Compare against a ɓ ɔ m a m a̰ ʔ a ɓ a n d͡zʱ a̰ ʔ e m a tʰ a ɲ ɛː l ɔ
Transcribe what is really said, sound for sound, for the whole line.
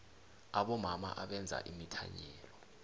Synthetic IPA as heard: a ɓ ɔ m a m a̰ ʔ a ɓ ɛ n d͡zʱ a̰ ʔ i m i tʰ a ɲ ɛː l ɔ